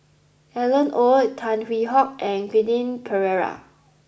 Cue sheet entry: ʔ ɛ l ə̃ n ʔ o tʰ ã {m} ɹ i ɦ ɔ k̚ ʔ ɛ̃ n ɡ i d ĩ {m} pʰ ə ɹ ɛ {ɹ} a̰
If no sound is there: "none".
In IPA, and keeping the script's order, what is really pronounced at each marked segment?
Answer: n, n, ɹ

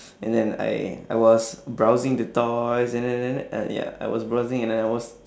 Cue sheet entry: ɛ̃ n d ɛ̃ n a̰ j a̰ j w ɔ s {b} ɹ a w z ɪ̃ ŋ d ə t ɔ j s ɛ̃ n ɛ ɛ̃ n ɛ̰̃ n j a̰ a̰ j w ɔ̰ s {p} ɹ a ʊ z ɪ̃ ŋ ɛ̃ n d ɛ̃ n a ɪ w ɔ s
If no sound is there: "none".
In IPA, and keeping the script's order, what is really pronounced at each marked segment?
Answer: b, b

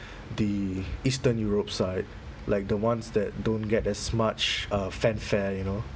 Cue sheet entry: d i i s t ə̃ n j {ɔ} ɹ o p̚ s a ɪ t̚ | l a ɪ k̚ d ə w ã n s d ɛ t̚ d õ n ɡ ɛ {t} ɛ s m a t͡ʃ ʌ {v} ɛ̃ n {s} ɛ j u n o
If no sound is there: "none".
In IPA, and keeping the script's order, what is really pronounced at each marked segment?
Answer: u, t, f, f

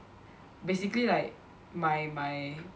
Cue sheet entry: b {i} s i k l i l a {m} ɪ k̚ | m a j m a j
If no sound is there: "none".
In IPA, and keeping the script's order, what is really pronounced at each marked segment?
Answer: e, none

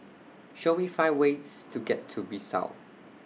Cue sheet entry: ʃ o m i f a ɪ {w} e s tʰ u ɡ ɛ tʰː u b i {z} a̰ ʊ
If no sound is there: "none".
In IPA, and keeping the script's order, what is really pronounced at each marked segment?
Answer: w, s

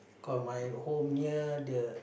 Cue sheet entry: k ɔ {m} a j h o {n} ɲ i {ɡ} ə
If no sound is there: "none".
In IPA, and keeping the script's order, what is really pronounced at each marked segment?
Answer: m, m, d

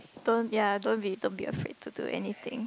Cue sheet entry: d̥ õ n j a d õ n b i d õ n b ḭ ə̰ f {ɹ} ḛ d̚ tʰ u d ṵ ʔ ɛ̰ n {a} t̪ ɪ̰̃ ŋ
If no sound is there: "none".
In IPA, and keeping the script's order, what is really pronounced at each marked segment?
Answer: ɹ, i

